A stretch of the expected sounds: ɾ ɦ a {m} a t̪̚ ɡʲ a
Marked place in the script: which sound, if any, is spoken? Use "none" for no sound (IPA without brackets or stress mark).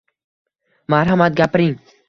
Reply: m